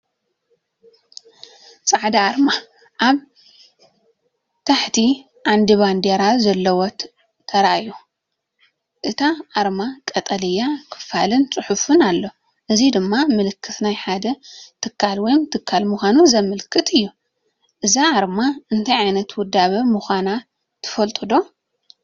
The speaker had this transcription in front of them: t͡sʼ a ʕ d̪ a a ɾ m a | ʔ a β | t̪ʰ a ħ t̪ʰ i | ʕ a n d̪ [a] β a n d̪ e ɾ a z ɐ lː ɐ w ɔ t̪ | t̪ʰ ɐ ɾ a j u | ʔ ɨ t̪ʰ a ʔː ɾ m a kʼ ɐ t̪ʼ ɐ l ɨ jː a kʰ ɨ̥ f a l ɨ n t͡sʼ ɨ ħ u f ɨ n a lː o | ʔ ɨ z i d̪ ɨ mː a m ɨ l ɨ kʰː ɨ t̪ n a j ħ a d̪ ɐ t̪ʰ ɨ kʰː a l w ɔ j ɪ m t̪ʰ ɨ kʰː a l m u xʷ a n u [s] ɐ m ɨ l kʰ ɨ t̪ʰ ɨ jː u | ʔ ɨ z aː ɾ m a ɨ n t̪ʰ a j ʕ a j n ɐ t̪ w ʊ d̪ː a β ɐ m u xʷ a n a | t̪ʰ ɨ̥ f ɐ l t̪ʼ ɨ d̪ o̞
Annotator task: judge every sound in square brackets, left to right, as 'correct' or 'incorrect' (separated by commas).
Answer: incorrect, incorrect